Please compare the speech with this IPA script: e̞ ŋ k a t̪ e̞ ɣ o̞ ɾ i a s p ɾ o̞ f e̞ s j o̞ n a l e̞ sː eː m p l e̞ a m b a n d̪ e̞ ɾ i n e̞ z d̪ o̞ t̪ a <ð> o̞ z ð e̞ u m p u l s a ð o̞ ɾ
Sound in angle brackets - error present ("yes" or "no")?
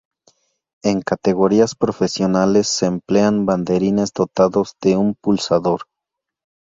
no